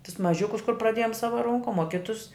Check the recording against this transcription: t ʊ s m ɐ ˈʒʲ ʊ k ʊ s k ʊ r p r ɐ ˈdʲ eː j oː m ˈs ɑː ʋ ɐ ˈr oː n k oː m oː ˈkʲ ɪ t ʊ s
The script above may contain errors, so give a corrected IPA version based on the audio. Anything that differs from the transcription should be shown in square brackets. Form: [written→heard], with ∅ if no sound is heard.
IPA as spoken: t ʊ s m ɐ ˈʒʲ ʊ k ʊ s k ʊ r p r ɐ ˈdʲ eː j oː m ˈs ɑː ʋ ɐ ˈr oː [n→ŋ] k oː m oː ˈkʲ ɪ t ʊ s